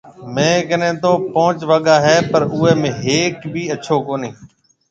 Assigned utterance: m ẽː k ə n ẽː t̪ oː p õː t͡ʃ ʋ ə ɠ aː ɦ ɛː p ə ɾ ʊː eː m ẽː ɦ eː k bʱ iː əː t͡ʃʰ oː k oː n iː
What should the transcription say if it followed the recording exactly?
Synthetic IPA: m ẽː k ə n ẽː t̪ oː p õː t͡ʃ ʋ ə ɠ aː ɦ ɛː p ə ɾ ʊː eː m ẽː ɦ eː k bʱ iː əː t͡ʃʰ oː k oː n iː